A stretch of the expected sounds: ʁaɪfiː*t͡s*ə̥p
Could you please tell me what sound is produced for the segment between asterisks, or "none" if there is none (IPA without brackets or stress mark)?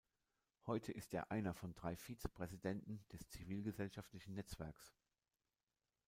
t͡s